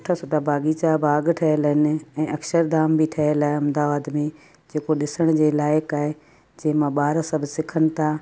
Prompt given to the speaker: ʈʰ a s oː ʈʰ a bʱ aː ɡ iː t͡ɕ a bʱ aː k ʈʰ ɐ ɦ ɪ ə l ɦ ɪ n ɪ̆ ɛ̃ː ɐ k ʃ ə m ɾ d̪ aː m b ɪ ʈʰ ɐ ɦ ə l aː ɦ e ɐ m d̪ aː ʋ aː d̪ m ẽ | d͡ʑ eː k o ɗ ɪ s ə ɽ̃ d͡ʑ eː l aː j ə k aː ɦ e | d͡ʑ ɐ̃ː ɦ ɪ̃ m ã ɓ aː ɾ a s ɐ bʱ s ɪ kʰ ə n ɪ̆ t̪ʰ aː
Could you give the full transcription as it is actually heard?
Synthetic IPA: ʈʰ a s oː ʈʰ a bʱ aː ɡ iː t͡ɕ a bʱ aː ɡ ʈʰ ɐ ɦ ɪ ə l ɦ ɪ n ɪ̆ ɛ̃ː ɐ k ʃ ə ɾ d̪ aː m b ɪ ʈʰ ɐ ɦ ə l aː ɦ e ɐ m d̪ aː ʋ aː d̪ m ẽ | d͡ʑ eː k o ɗ ɪ s ə ɽ̃ d͡ʑ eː l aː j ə k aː ɦ e | d͡ʑ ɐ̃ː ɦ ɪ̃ m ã ɓ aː ɾ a s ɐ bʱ s ɪ kʰ ə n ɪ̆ t̪ʰ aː

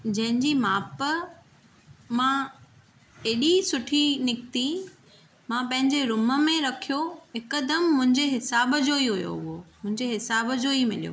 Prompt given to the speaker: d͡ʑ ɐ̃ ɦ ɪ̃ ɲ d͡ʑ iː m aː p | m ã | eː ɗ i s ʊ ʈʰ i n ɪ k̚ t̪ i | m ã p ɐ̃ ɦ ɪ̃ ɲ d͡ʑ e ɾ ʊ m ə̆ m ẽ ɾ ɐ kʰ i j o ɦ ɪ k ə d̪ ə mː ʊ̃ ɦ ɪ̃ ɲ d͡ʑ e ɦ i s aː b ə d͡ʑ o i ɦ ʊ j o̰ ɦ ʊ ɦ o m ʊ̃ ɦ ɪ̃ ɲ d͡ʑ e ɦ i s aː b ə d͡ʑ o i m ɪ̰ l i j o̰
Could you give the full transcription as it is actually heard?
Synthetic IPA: d͡ʑ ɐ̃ ɦ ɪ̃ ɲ d͡ʑ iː m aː p | m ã | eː ɗ i s ʊ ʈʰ i n ɪ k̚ t̪ i | m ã p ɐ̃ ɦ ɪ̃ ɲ d͡ʑ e ɾ ʊ m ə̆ m ẽ ɾ ɐ kʰ i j o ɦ ɪ k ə d̪ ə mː ʊ̃ ɦ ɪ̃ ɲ d͡ʑ e ɦ ɪ s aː b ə d͡ʑ o i ɦ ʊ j o̰ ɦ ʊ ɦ o m ʊ̃ ɦ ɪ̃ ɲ d͡ʑ e ɦ ɪ s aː b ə d͡ʑ o i m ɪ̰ l i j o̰

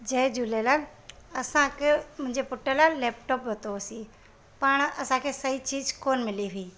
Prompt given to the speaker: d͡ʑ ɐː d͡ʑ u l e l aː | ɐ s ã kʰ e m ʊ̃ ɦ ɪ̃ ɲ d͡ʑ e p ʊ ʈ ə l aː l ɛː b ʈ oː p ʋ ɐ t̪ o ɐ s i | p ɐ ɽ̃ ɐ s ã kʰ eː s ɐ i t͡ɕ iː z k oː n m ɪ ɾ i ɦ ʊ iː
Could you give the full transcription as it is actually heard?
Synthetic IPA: d͡ʑ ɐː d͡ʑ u l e l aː | ɐ s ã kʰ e m ʊ̃ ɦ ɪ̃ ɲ d͡ʑ e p ʊ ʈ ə l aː l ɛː p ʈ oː p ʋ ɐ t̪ o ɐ s i | p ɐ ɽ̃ ɐ s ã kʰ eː s ɐ i t͡ɕ iː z k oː n m ɪ l i ɦ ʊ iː

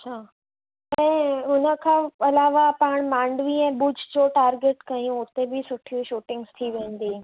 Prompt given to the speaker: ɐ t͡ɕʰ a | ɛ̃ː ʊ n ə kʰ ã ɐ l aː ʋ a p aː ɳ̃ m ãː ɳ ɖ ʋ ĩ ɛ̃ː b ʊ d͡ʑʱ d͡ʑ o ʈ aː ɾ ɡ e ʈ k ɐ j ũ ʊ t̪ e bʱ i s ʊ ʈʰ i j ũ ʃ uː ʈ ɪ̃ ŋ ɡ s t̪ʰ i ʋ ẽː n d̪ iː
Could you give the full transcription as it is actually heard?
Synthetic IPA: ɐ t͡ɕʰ a | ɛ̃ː ʊ n ə kʰ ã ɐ l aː ʋ a p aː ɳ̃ m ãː ɳ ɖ ʋ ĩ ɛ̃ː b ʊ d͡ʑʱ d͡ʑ o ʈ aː ɾ ɡ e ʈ k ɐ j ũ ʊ t̪ e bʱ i s ʊ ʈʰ i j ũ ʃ uː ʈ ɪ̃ ŋ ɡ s t̪ʰ i ʋ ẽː n d̪ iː

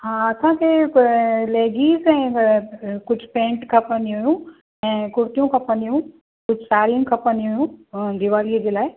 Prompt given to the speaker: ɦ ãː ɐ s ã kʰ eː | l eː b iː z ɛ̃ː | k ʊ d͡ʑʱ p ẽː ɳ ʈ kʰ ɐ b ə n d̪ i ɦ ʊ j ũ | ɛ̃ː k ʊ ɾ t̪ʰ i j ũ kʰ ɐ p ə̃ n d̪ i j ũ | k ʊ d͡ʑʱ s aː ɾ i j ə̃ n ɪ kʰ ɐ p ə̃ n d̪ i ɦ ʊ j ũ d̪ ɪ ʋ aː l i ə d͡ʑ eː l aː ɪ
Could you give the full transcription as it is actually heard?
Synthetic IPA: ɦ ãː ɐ s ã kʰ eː | l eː ɡ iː z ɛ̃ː | k ʊ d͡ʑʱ p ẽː ɳ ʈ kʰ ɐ p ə n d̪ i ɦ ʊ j ũ | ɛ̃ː k ʊ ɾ t̪ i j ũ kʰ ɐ p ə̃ n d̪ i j ũ | k ʊ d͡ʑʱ s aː ɾ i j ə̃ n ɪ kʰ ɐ p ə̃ n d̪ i ɦ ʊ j ũ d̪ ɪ ʋ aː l i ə d͡ʑ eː l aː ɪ

